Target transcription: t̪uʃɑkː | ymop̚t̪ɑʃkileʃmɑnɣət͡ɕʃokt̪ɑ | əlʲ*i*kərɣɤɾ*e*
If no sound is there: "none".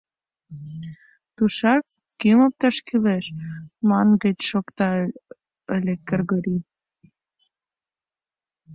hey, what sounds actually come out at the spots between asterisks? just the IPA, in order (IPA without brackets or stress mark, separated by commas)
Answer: e, i